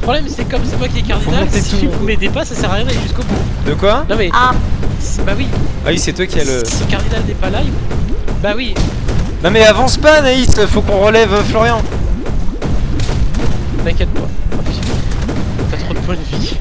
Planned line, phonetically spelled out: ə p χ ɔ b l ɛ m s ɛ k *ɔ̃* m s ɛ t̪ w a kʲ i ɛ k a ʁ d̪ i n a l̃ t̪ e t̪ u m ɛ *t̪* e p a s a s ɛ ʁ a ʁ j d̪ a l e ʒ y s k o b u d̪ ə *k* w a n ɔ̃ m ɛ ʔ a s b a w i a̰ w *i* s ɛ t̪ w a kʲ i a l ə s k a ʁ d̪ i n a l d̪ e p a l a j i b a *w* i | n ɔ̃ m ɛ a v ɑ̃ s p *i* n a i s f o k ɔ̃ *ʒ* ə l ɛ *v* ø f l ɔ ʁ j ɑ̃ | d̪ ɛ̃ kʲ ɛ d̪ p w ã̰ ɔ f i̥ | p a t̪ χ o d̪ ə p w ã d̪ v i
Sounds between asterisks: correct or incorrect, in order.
incorrect: ɔ, incorrect: d̪, correct, correct, correct, incorrect: a, incorrect: ʁ, correct

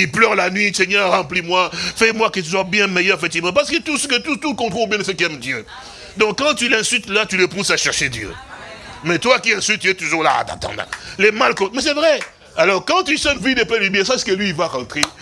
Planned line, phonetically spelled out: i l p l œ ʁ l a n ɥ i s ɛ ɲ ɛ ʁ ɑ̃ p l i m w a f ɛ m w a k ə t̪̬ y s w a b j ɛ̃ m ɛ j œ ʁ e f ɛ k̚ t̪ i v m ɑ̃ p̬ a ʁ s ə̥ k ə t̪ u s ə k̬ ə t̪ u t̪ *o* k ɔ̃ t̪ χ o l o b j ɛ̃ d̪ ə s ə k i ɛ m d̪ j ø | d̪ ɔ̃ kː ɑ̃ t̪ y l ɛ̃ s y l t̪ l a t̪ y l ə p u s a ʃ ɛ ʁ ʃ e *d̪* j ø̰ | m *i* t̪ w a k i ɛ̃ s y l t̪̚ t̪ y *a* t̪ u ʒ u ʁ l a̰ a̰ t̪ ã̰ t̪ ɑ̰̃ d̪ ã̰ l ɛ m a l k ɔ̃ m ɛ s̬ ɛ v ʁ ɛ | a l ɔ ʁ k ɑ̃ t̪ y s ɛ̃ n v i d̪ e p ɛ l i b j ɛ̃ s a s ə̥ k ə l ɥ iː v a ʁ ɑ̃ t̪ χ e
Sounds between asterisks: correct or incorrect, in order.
incorrect: u, correct, incorrect: ɛ, incorrect: ɛ

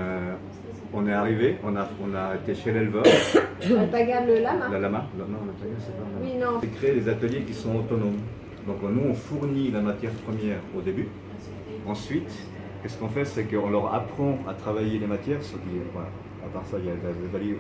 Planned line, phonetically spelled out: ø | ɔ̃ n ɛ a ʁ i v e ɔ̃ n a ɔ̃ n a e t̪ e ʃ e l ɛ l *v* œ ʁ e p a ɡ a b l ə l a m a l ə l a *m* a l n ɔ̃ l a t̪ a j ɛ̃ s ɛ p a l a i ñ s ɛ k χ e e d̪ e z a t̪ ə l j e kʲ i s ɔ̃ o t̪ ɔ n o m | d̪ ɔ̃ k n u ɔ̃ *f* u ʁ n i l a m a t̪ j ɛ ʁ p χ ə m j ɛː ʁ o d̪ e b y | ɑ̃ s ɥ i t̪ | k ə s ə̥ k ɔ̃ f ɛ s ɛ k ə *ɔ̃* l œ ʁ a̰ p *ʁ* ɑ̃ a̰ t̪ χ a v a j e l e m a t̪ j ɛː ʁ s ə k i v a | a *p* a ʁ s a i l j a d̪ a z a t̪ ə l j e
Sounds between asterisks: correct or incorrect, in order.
correct, correct, correct, correct, incorrect: χ, correct

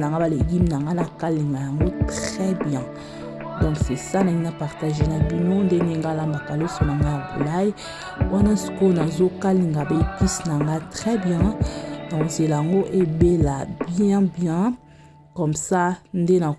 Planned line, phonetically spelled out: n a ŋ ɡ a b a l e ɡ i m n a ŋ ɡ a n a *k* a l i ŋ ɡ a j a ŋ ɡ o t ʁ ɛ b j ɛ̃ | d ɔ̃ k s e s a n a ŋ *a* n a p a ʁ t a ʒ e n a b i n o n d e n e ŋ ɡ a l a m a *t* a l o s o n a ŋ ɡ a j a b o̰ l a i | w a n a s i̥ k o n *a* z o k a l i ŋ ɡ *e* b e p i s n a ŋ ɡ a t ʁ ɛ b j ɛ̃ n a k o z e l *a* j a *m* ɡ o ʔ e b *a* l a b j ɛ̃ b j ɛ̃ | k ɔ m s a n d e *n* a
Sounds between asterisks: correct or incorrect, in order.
correct, incorrect: i, incorrect: k, correct, incorrect: a, correct, incorrect: ŋ, incorrect: e, correct

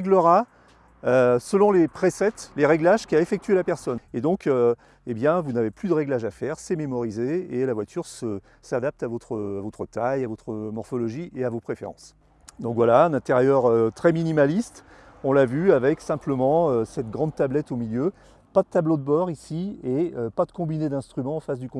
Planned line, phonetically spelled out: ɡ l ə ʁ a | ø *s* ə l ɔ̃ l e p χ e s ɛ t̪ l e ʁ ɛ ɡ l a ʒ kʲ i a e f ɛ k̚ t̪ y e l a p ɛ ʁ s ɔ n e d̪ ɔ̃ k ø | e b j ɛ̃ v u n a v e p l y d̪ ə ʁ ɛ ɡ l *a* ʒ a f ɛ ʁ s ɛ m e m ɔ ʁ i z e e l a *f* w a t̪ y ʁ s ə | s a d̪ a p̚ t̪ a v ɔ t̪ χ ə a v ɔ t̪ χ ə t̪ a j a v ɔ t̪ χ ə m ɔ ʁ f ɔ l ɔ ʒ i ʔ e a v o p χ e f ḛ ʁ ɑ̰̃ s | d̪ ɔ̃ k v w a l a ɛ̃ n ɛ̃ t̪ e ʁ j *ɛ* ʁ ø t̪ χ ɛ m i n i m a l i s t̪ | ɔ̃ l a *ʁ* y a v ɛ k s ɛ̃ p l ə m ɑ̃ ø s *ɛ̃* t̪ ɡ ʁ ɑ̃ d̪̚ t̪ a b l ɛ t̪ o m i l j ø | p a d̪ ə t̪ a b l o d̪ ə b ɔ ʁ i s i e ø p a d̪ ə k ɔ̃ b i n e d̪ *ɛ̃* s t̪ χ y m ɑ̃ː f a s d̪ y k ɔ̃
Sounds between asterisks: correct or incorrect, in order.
correct, correct, incorrect: v, incorrect: œ, incorrect: v, incorrect: ɛ, correct

